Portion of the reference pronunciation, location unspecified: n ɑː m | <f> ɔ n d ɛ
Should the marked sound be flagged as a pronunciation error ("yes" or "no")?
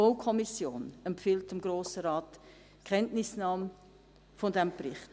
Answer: no